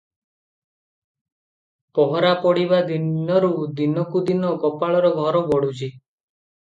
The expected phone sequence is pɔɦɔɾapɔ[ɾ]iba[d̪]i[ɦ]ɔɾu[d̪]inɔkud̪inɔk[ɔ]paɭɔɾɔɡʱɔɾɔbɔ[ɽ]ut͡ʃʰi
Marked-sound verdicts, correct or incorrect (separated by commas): incorrect, correct, incorrect, correct, correct, correct